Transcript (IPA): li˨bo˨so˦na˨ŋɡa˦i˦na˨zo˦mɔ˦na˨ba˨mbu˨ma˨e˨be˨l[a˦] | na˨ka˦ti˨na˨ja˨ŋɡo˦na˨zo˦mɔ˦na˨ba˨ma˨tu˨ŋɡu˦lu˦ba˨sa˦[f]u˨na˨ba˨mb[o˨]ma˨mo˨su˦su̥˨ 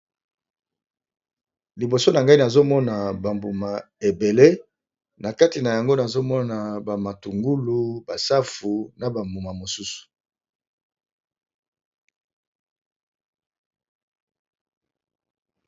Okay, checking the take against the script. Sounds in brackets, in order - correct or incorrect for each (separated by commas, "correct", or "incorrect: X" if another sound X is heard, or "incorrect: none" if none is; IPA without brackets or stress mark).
incorrect: e˦, correct, incorrect: u˨